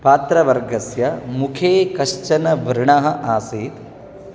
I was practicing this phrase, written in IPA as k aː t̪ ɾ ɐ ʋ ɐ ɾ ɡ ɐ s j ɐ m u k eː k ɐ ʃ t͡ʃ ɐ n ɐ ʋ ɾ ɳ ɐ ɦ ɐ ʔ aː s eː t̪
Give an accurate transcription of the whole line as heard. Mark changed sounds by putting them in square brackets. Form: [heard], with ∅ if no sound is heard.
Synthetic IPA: [p] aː t̪ ɾ ɐ ʋ ɐ ɾ ɡ ɐ s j ɐ m u [kʰ] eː k ɐ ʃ t͡ʃ ɐ n ɐ ʋ ɾ ɳ ɐ ɦ ɐ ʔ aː s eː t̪